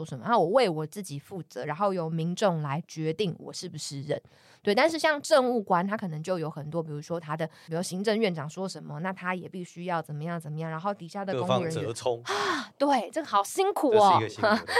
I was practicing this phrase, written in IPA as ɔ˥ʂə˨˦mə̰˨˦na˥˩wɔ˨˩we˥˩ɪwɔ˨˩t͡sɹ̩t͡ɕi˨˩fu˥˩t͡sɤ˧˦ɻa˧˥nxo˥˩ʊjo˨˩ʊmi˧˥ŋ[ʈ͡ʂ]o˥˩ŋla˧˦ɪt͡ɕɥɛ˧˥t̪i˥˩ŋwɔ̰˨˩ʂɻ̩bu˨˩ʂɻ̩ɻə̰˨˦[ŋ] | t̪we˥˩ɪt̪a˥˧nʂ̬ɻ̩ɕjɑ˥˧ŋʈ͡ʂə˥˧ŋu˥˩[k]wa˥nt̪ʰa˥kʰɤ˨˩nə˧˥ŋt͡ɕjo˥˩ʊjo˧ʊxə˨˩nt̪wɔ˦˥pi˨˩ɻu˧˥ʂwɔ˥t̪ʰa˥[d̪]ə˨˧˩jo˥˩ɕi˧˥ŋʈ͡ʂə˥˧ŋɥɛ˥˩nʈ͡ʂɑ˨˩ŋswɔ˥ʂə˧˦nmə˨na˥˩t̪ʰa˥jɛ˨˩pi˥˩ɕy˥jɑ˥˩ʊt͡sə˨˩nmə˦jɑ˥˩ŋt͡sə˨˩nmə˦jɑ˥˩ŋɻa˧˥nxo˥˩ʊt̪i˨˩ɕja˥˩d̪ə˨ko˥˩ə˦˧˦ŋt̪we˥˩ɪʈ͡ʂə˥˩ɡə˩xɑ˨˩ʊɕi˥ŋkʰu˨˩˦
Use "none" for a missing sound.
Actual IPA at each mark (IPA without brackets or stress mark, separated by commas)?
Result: ʈ͡ʂ, n, k, d̪